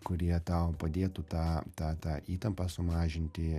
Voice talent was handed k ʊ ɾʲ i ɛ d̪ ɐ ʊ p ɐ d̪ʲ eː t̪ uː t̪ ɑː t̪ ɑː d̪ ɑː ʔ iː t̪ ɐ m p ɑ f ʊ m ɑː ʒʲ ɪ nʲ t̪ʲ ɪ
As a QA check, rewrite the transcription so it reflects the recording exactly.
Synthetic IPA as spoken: k ʊ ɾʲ i ɛ t̪ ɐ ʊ p ɐ d̪ʲ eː t̪ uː t̪ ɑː t̪ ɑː t̪ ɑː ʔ iː t̪ ɐ m p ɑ s ʊ m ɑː ʒʲ ɪ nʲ t̪ʲ ɪ